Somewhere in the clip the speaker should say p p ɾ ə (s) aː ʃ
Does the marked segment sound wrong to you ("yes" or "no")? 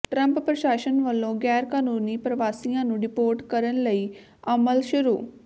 yes